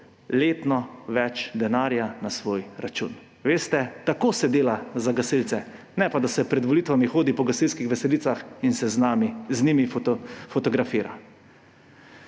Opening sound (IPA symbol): l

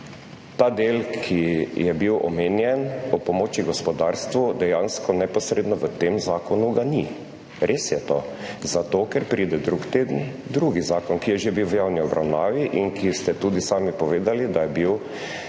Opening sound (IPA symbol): t̪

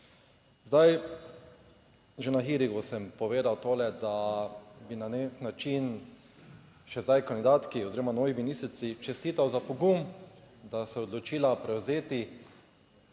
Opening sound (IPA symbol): z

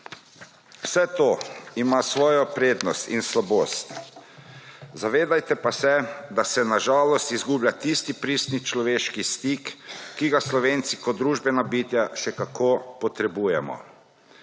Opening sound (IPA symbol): w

